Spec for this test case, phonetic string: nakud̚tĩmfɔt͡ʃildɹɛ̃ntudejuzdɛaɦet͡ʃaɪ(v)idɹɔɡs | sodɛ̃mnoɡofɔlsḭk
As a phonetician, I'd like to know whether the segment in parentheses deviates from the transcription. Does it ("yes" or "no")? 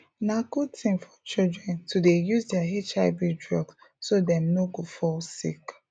yes